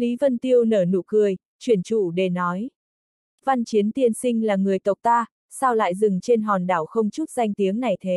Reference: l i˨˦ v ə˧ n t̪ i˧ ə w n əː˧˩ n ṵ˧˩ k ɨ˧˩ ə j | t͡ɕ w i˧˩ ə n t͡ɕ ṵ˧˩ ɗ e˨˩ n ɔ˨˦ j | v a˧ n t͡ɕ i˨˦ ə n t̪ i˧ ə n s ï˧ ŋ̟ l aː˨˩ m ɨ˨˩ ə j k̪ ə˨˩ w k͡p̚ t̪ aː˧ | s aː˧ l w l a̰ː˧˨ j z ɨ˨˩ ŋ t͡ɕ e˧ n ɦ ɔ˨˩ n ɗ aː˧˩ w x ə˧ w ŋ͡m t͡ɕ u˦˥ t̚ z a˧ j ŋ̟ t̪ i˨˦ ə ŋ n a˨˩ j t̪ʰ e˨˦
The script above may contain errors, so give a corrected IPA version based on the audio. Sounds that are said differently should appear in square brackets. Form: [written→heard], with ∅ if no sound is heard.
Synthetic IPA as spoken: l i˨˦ v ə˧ n t̪ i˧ ə w n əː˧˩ n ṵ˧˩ k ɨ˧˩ ə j | t͡ɕ w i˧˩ ə n t͡ɕ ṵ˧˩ ɗ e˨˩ n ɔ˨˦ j | v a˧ n t͡ɕ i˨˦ ə n t̪ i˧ ə n s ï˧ ŋ̟ l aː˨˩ [m→ŋ] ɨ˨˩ ə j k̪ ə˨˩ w k͡p̚ t̪ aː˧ | s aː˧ [l→∅] w l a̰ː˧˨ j z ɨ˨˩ ŋ t͡ɕ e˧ n ɦ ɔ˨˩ n ɗ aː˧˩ w x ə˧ w ŋ͡m t͡ɕ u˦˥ t̚ z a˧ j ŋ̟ t̪ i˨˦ ə ŋ n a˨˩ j t̪ʰ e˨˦